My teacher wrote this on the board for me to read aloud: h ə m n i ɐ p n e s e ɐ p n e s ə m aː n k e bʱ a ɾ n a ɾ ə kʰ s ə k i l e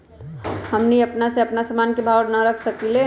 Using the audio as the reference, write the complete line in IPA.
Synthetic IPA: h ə m n i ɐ p n a s e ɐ p n a s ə m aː n k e bʱ a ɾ n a ɾ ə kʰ s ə k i l e